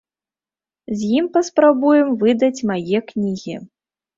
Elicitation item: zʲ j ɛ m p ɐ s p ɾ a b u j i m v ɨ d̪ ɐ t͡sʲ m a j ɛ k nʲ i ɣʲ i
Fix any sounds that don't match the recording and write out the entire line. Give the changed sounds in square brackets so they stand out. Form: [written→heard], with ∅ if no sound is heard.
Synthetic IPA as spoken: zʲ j [ɛ→i] m p ɐ s p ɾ a b u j [i→ɛ] m v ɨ d̪ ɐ t͡sʲ m a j ɛ k nʲ i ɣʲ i